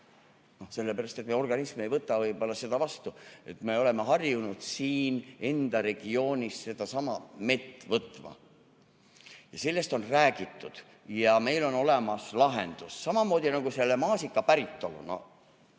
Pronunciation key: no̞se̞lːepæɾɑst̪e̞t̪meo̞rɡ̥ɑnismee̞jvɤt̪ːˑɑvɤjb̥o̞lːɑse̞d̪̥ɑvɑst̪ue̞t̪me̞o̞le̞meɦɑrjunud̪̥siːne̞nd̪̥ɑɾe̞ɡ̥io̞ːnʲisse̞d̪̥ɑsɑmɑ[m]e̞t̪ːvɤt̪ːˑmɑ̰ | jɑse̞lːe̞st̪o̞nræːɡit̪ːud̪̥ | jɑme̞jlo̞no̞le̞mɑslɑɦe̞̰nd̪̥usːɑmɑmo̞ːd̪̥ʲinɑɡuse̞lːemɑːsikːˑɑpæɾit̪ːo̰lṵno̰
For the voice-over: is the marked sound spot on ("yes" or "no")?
yes